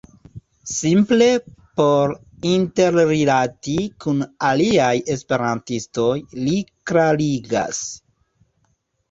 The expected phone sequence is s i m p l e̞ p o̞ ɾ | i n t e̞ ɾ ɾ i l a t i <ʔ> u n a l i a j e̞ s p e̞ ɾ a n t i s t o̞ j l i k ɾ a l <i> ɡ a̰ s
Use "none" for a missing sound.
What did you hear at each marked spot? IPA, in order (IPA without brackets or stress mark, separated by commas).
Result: k, i